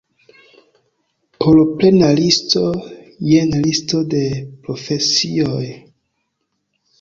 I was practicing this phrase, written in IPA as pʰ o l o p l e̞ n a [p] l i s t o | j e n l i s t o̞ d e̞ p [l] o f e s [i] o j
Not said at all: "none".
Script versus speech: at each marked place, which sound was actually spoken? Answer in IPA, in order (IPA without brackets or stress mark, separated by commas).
none, ɾ, i